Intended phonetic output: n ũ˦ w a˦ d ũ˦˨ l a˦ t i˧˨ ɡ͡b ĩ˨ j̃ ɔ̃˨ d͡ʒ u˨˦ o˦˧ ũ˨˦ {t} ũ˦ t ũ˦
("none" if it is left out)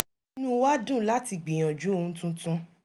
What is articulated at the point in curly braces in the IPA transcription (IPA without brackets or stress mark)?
t